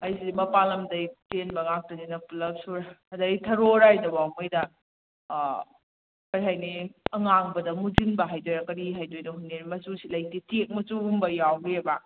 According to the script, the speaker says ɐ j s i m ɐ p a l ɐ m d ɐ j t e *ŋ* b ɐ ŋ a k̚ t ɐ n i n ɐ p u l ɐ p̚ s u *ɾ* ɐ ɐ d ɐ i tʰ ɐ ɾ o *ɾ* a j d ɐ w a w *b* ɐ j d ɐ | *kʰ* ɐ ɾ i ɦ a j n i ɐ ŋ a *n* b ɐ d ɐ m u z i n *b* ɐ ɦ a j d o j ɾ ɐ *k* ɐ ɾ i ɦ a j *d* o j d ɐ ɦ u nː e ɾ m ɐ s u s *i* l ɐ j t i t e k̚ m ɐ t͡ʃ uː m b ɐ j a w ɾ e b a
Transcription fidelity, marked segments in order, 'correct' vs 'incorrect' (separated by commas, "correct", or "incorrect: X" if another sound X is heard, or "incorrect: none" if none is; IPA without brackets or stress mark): incorrect: n, correct, correct, incorrect: m, incorrect: k, incorrect: ŋ, correct, correct, correct, correct